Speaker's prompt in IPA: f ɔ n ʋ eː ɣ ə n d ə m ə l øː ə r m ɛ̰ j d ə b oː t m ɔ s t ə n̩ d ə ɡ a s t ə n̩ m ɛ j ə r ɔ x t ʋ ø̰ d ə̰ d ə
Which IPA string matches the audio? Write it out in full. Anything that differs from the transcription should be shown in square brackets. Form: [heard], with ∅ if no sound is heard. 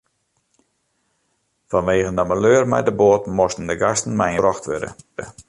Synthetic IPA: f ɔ n ʋ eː ɣ ə n d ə m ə l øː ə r m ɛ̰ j d ə b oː t m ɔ s t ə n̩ d ə ɡ a s t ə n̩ m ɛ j ə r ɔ x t ʋ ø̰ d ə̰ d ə